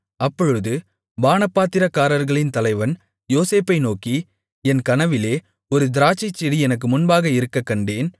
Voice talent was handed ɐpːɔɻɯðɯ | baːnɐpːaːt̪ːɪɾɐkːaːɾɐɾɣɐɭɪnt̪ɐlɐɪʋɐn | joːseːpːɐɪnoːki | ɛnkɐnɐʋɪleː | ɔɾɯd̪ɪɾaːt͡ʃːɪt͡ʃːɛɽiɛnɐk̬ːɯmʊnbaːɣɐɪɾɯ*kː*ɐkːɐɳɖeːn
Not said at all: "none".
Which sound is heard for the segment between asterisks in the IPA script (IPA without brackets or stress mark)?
kː